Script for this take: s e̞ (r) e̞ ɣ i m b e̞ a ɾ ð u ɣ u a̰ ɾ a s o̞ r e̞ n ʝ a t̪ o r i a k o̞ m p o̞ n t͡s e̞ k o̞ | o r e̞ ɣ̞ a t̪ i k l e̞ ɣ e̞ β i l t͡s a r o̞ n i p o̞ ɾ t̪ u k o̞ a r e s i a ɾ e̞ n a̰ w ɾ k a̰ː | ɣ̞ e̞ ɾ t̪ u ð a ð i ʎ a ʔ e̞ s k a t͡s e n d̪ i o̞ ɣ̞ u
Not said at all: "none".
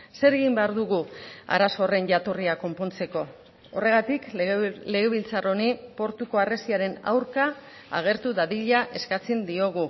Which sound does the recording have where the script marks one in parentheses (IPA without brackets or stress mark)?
ɾ